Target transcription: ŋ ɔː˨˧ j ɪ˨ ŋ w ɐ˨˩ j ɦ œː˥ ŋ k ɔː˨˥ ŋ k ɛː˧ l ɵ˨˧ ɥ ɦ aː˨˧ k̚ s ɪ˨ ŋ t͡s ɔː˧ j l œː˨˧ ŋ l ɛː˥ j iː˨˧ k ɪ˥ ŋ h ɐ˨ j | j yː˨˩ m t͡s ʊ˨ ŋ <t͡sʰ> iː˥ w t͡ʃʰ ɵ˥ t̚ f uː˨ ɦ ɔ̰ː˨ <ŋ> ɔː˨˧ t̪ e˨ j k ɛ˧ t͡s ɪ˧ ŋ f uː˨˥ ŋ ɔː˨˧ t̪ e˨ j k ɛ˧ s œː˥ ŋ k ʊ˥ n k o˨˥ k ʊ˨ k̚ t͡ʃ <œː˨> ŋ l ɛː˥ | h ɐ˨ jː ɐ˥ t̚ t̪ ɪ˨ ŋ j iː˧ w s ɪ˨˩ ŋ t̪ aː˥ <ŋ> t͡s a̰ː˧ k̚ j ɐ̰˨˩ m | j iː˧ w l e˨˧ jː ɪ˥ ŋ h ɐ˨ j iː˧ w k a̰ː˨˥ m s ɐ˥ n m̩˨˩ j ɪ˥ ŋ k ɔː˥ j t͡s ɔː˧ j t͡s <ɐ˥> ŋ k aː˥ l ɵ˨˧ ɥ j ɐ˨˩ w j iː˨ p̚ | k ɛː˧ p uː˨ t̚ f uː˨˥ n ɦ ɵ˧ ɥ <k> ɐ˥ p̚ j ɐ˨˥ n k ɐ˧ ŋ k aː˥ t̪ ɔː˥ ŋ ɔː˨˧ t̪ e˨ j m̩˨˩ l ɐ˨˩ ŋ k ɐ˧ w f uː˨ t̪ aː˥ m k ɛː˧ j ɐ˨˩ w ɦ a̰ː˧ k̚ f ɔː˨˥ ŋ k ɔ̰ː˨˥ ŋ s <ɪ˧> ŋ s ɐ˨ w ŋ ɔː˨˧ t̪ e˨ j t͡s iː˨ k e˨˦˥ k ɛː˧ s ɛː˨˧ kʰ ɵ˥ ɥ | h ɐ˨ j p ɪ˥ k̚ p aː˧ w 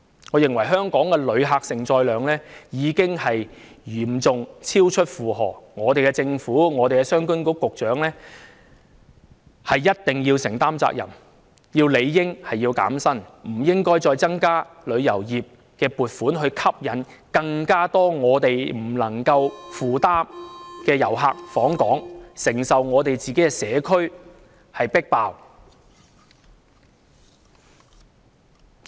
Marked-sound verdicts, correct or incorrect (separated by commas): correct, correct, incorrect, incorrect, correct, incorrect, incorrect